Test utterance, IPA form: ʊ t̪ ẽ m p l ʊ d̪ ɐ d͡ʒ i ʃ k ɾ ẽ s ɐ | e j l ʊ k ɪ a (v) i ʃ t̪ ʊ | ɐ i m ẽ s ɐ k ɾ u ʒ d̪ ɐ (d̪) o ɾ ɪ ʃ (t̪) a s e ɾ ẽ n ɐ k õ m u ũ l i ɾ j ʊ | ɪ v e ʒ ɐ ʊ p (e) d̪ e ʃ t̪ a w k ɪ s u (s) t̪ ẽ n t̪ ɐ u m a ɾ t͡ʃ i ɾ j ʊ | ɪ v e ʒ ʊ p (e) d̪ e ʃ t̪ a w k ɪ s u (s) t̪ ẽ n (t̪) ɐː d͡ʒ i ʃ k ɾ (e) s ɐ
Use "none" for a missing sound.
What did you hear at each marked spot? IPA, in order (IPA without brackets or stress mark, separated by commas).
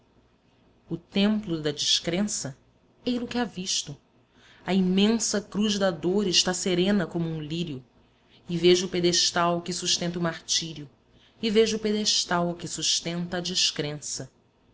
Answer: v, d̪, t̪, e, ʃ, e, ʃ, t̪, ẽ